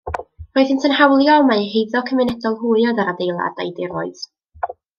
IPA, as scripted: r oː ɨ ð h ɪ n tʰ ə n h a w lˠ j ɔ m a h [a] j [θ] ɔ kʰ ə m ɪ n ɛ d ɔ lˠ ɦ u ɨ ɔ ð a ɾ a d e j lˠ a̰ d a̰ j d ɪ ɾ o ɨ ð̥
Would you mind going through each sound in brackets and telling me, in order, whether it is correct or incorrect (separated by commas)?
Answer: incorrect, incorrect